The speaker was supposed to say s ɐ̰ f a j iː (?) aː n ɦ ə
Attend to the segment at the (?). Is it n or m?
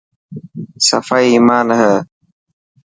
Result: m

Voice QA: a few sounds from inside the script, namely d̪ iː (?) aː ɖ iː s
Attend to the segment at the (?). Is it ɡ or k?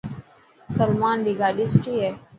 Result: ɡ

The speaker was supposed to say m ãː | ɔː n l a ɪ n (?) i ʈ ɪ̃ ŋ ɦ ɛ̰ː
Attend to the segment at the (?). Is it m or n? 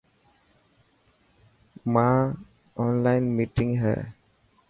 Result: m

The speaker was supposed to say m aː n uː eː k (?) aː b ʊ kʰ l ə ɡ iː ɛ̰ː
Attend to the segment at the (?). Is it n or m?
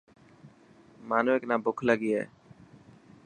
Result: n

